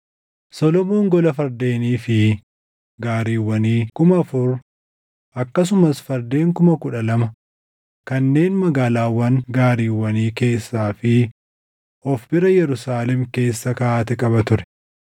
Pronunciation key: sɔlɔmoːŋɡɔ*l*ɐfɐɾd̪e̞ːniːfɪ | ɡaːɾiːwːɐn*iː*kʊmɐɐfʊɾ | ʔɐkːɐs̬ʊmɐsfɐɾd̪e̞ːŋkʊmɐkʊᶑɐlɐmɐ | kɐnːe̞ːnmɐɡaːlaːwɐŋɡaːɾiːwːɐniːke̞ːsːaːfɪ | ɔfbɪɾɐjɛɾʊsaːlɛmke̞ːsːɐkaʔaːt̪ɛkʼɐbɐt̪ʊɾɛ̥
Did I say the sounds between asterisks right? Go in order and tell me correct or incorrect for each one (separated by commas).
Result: correct, correct